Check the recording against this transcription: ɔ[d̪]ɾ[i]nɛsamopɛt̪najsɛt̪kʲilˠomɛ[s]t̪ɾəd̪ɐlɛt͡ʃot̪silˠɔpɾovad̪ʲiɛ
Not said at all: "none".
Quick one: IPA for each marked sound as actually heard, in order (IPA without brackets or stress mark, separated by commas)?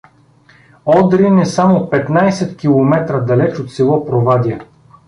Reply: d̪, i, none